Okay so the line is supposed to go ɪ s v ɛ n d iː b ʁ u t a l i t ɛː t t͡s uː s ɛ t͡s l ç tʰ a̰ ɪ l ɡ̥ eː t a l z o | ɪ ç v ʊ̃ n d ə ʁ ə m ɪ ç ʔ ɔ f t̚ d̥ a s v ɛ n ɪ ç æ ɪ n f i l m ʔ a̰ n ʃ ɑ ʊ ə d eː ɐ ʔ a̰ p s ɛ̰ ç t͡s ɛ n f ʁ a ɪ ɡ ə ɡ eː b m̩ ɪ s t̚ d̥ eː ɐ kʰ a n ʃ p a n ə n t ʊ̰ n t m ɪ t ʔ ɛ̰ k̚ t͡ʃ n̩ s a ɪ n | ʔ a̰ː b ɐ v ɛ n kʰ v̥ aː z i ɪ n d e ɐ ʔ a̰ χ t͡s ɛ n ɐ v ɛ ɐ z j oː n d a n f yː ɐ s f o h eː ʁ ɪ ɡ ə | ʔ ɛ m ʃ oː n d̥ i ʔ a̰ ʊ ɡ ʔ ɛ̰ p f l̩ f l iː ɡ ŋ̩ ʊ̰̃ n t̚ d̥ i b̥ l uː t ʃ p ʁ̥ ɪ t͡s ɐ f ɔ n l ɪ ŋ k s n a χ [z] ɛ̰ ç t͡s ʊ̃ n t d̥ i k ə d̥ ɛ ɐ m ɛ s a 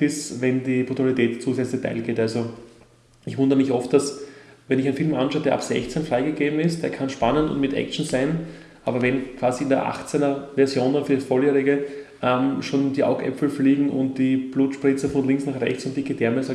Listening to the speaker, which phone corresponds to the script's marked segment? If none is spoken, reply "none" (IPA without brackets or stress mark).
ʁ